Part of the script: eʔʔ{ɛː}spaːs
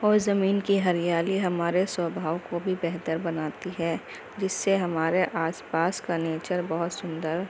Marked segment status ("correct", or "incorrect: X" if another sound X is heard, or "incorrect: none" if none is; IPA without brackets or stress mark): incorrect: aː